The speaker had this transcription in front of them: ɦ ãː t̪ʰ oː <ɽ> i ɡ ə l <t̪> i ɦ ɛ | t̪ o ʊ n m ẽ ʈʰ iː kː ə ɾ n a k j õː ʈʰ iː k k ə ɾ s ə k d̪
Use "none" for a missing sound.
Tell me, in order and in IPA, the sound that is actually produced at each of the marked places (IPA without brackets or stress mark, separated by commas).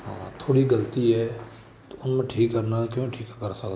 ɽ, t̪